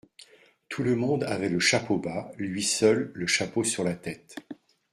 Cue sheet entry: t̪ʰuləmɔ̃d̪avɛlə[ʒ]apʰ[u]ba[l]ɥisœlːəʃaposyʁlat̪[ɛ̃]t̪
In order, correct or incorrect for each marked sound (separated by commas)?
incorrect, incorrect, correct, incorrect